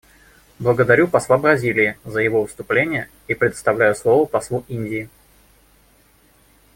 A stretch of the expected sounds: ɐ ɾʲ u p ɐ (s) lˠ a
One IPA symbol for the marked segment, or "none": s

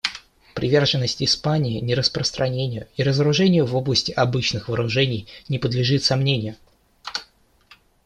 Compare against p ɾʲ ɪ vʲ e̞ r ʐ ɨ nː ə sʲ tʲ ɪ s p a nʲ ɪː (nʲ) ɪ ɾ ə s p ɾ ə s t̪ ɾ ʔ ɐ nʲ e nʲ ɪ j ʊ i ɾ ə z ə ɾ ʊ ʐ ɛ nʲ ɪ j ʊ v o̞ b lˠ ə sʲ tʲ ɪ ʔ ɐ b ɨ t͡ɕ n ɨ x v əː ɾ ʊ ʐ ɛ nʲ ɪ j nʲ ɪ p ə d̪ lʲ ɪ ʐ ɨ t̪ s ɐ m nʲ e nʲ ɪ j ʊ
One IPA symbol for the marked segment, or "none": nʲ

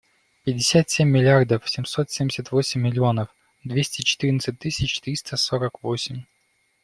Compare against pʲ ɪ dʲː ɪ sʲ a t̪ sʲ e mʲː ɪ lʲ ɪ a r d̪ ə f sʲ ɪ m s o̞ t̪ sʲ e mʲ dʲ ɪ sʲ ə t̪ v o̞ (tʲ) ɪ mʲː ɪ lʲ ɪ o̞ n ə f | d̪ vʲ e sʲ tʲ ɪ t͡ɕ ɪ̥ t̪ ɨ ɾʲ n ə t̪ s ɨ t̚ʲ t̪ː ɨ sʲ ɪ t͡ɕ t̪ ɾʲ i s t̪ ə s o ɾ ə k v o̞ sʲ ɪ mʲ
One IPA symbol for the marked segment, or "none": sʲ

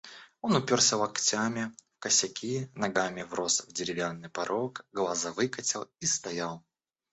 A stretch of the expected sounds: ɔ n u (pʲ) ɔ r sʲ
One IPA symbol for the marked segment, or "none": pʲ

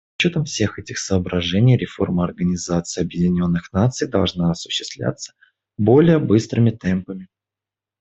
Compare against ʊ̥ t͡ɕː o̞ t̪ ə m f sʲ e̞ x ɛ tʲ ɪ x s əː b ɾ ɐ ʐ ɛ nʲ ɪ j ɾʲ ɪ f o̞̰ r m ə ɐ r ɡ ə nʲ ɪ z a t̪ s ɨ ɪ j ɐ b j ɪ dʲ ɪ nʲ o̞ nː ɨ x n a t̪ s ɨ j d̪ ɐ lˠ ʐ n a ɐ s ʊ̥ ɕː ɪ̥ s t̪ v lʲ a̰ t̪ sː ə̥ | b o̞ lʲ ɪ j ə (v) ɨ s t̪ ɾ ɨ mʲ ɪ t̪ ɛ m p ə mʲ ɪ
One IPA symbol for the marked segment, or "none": b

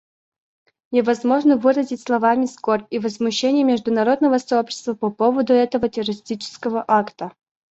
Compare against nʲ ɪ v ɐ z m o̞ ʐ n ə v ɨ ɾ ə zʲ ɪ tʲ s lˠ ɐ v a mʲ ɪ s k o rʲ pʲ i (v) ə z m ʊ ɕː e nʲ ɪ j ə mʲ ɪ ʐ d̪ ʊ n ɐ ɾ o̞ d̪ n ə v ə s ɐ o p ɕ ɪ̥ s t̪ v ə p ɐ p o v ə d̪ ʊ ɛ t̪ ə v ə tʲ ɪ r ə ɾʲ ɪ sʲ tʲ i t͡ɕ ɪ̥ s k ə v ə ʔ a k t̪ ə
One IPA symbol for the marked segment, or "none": v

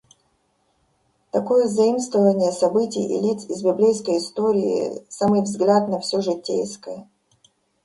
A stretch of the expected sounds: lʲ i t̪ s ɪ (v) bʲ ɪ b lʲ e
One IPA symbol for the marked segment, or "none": z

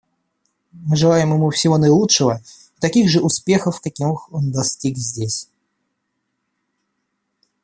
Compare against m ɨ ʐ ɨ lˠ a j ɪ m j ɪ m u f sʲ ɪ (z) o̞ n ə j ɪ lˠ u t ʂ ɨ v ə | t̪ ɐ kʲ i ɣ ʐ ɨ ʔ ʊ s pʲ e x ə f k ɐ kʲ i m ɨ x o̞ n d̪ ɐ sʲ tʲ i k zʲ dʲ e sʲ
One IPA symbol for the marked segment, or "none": v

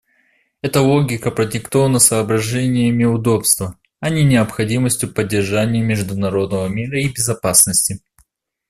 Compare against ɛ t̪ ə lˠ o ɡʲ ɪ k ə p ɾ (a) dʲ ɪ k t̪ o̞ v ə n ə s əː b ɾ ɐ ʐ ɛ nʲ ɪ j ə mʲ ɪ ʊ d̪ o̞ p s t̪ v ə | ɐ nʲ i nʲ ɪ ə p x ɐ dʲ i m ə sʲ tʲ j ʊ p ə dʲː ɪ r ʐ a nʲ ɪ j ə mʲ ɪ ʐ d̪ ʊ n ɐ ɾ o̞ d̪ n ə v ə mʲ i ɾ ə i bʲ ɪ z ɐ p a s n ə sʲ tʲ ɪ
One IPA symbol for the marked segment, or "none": ə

